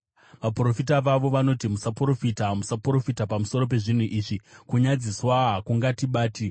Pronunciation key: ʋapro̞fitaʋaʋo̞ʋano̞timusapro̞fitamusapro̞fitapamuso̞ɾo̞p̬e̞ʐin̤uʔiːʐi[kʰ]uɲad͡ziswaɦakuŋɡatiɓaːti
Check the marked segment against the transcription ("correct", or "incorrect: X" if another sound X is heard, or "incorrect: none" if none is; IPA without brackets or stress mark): incorrect: k